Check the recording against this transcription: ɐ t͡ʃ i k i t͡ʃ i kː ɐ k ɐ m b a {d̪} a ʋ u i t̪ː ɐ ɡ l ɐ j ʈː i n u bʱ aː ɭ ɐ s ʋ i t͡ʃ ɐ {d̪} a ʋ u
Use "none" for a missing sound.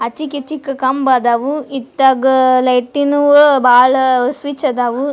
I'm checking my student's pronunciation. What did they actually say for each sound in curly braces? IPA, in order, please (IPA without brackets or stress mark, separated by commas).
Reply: d̪, d̪